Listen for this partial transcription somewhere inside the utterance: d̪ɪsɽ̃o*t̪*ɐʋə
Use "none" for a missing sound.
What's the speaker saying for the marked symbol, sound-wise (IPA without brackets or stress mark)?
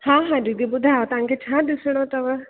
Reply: t̪